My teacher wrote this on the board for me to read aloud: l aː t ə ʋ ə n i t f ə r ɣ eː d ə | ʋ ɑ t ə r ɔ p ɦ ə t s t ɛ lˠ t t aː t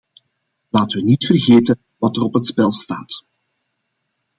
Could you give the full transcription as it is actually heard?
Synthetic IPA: l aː t ə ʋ ə n i t f ə r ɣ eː t ə | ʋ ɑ t ə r ɔ p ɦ ə t s p ɛ lˠ s t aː t